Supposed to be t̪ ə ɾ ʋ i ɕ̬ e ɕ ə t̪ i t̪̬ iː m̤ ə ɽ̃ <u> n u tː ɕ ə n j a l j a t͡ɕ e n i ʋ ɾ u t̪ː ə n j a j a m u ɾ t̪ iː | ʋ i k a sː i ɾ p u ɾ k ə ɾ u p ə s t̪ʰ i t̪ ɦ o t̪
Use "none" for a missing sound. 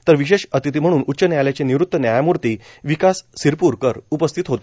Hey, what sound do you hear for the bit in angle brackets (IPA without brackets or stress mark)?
uː